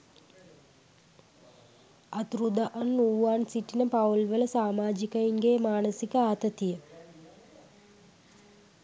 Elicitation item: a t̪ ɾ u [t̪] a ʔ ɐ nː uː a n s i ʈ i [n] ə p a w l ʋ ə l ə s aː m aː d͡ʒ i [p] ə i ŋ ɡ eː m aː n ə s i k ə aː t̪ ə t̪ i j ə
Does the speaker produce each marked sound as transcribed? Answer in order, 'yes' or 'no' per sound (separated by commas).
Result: no, yes, no